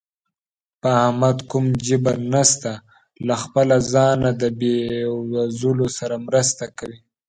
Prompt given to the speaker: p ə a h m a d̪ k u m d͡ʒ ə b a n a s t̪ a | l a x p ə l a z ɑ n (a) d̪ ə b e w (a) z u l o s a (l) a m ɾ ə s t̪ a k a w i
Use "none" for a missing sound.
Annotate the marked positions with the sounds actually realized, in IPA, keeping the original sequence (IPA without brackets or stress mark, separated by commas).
a, a, ɾ